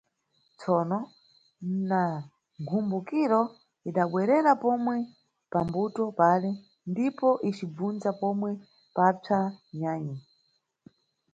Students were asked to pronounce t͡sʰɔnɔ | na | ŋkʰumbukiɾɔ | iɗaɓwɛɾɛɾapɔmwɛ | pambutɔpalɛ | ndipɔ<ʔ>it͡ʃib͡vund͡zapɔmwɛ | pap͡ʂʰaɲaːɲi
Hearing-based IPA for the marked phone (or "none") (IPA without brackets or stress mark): ʔ